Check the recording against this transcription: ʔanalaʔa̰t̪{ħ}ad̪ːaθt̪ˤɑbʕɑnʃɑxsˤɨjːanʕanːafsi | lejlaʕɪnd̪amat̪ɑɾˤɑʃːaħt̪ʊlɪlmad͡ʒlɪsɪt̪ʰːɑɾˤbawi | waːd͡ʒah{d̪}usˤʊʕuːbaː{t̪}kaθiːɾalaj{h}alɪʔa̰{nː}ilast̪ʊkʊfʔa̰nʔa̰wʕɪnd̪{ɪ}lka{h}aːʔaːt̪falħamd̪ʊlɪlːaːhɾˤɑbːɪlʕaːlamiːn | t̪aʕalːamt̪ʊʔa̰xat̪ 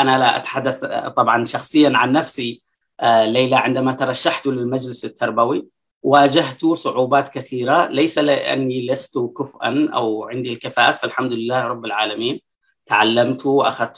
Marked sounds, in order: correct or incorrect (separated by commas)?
correct, incorrect, correct, incorrect, correct, incorrect, incorrect